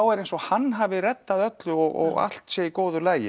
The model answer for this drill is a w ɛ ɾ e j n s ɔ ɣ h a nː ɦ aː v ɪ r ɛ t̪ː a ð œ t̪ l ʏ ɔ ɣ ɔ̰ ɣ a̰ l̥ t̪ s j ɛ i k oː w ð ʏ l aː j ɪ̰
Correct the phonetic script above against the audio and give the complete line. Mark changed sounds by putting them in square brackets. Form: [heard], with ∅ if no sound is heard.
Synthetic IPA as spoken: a w ɛ ɾ e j n s ɔ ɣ h a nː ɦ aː v ɪ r ɛ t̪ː a ð œ t̪ l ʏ ɔ ɣ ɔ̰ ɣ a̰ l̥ t̪ s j ɛ i k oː w ð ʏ l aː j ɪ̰